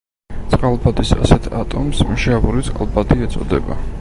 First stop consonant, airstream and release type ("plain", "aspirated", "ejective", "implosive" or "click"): plain